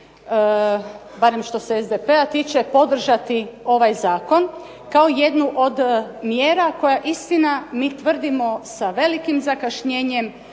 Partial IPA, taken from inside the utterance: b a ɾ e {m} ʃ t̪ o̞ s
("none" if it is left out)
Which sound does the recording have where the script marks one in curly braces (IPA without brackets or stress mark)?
m